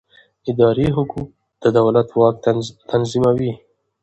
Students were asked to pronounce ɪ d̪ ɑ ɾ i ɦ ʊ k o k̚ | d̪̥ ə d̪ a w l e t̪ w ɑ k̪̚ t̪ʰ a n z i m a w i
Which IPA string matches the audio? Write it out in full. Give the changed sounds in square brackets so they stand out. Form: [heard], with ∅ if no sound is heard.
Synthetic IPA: ɪ d̪ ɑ ɾ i ɦ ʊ k [u] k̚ | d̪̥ ə d̪ a w l [a] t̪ w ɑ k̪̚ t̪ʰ a n z i m a w i